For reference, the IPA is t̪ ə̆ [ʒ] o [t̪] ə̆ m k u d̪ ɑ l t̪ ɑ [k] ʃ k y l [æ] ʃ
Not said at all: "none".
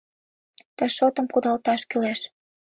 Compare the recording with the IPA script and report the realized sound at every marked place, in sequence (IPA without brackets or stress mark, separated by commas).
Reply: ʃ, t̪, none, æ